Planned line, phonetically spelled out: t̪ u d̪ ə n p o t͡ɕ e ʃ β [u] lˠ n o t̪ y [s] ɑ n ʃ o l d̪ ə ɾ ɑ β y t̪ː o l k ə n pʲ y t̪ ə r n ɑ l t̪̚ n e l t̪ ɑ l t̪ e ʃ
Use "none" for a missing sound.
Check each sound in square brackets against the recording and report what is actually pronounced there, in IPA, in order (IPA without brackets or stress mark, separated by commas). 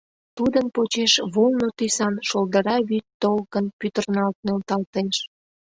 o, s